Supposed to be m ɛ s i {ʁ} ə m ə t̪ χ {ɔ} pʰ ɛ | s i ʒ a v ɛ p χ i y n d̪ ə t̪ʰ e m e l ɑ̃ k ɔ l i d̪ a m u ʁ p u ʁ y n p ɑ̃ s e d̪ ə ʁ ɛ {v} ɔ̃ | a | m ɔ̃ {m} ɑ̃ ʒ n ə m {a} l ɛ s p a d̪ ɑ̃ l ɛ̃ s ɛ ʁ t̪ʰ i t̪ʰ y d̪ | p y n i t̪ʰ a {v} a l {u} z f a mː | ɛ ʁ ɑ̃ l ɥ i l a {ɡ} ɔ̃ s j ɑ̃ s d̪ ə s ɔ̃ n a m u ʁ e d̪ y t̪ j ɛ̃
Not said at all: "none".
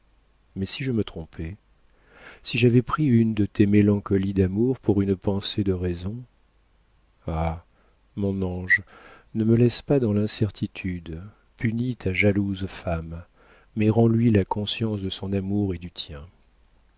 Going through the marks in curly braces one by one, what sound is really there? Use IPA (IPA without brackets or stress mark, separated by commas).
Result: ʒ, ɔ̃, z, n, ə, ʒ, u, k